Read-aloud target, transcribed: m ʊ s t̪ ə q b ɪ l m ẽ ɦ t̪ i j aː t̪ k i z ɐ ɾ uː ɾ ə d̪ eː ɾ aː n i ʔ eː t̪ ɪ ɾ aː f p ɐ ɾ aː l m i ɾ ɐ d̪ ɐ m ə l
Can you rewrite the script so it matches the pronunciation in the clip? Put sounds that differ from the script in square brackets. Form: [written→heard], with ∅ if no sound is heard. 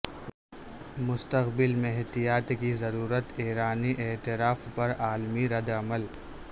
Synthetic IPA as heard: m ʊ s t̪ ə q b ɪ l m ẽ ɦ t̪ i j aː t̪ k i z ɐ ɾ uː ɾ ə [d̪→t̪] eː ɾ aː n i ʔ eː t̪ ɪ ɾ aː f p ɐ ɾ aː l m i ɾ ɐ d̪ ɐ m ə l

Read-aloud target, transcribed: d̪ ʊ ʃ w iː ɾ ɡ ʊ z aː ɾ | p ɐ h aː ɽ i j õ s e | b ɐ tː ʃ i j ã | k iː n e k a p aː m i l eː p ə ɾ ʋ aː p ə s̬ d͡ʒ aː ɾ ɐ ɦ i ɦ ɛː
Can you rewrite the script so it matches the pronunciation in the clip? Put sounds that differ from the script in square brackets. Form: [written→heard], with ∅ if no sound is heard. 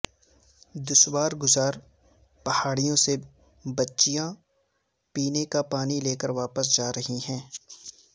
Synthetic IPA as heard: d̪ ʊ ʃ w [iː→aː] ɾ ɡ ʊ z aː ɾ | p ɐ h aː ɽ i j õ s e | b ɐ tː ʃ i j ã | [k→p] iː n e k a p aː [m→n] i l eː [p→k] ə ɾ ʋ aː p ə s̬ d͡ʒ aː ɾ ɐ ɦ i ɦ [ɛː→ɛ̃ː]

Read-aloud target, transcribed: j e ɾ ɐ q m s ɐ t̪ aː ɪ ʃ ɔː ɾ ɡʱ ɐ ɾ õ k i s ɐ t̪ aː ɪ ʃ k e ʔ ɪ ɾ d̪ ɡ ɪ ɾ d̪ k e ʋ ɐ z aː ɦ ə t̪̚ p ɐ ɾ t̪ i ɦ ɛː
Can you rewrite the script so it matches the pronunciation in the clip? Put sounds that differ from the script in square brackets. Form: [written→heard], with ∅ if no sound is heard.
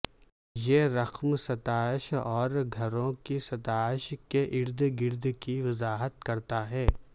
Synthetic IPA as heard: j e ɾ ɐ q m s ɐ t̪ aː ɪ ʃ ɔː ɾ ɡʱ ɐ ɾ õ k i s ɐ t̪ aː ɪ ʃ k e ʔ ɪ ɾ d̪ ɡ ɪ ɾ d̪ k [e→i] ʋ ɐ z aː ɦ ə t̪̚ [p→k] ɐ ɾ t̪ [i→a] ɦ ɛː

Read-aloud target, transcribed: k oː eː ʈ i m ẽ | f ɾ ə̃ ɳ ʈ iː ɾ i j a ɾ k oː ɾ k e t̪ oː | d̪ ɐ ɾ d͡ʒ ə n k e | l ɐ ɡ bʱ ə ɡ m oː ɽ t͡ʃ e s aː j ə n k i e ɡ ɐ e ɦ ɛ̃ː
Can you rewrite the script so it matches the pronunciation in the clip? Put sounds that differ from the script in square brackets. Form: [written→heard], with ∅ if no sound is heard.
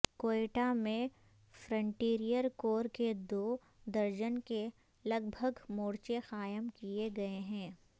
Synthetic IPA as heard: k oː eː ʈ [i→a] m ẽ | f ɾ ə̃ ɳ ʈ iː ɾ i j [a→ə] ɾ k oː ɾ k e [t̪→d̪] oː | d̪ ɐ ɾ d͡ʒ ə n k e | l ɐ ɡ bʱ ə ɡ m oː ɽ t͡ʃ e [s→x] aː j ə [n→m] k i e ɡ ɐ e ɦ ɛ̃ː

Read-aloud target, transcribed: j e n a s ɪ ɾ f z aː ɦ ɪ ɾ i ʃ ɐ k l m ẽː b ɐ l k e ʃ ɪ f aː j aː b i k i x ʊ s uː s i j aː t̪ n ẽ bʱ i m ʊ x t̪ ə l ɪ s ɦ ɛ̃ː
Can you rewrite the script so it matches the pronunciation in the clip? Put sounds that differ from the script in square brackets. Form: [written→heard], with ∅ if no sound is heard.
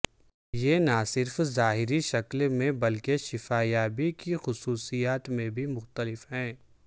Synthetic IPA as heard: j e n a s ɪ ɾ f z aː ɦ ɪ ɾ i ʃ ɐ k l m [ẽː→ẽ] b ɐ l k e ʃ ɪ f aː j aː b i k i x ʊ s uː s i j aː t̪ [n→m] ẽ bʱ i m ʊ x t̪ ə l ɪ [s→f] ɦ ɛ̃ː

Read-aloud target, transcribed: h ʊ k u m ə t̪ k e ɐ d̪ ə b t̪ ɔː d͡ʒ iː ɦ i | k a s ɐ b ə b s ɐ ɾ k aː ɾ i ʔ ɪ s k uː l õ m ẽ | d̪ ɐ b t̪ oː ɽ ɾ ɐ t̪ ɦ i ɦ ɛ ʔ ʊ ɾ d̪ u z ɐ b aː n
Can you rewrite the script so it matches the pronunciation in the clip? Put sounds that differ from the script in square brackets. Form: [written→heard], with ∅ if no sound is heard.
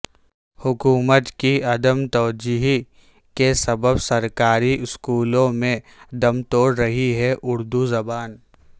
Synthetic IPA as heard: h ʊ k [u→uː] m ə t̪ k [e→i] ɐ d̪ ə [b→m] t̪ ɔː d͡ʒ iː ɦ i | k [a→e] s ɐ b ə b s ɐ ɾ k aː ɾ i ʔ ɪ s k uː l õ m ẽ | d̪ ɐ [b→m] t̪ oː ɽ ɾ ɐ [t̪→∅] ɦ i ɦ ɛ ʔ ʊ ɾ d̪ u z ɐ b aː n

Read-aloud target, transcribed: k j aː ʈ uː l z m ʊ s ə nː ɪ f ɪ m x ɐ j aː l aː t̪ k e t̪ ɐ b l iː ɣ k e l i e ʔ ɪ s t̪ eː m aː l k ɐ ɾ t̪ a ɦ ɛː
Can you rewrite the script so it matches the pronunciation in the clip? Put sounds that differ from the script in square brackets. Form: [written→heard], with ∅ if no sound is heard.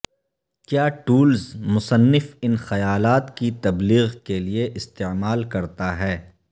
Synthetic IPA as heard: k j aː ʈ uː l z m ʊ s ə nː ɪ f ɪ [m→n] x ɐ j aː l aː t̪ k [e→i] t̪ ɐ b l iː ɣ k e l i e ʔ ɪ s t̪ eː m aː l k ɐ ɾ t̪ a ɦ ɛː

